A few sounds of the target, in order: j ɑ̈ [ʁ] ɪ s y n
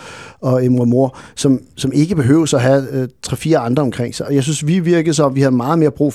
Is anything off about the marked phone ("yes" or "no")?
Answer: yes